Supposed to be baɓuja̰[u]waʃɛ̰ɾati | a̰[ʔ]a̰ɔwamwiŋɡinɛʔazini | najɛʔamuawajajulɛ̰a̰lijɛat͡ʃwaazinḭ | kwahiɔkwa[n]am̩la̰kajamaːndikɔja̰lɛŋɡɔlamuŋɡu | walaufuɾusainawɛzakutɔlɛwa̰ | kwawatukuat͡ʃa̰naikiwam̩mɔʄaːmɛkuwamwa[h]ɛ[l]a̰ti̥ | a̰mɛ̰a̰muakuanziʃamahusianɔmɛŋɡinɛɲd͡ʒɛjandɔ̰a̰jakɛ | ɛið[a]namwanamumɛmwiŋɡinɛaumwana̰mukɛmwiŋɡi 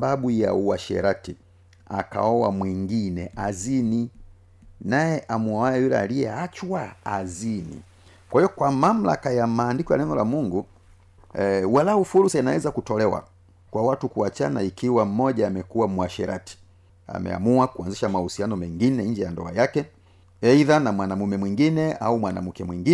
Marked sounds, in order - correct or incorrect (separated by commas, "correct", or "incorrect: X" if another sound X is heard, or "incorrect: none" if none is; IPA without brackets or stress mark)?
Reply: correct, incorrect: k, incorrect: m, incorrect: ʃ, incorrect: ɾ, correct